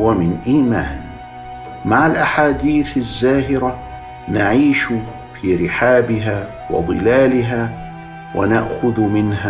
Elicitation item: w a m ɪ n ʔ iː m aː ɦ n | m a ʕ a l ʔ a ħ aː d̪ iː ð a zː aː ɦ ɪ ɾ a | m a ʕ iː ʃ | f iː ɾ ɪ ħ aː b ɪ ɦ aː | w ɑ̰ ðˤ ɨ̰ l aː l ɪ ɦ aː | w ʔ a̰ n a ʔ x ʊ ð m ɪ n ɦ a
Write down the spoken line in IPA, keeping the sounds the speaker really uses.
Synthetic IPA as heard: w a m ɪ n ʔ iː m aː n | m a ʕ a l ʔ a ħ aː d̪ iː θ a zː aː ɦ ɪ ɾ a | n a ʕ iː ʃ | f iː ɾ ɪ ħ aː b ɪ ɦ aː | w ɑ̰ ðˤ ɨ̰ l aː l ɪ ɦ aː | w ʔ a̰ n a ʔ x ʊ ð m ɪ n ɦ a